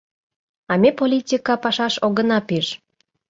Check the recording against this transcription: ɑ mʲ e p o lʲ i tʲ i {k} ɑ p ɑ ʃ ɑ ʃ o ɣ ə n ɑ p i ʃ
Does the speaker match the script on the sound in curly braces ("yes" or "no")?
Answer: yes